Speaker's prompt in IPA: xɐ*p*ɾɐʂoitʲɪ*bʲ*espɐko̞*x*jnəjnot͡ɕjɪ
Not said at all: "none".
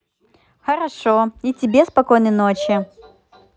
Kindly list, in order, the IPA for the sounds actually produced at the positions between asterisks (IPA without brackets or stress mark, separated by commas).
none, bʲ, none